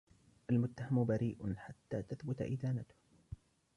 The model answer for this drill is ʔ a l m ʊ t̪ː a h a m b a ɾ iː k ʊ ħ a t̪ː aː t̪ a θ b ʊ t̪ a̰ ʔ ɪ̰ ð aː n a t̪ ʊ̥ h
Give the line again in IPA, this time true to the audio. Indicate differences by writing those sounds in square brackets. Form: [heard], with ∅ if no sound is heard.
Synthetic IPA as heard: ʔ a l m ʊ t̪ː a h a m b a ɾ iː [ʔ] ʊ ħ a t̪ː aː t̪ a θ b ʊ t̪ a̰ ʔ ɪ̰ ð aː n a t̪ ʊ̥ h